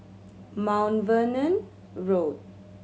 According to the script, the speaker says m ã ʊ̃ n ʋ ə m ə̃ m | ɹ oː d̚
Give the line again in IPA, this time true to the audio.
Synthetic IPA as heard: m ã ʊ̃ n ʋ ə n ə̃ n | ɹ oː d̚